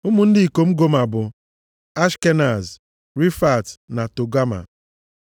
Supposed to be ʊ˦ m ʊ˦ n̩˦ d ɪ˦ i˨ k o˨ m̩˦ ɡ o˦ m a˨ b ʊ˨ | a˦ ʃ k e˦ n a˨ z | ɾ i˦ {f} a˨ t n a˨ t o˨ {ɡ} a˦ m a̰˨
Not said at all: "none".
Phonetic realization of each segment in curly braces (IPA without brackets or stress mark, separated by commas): f, ɡ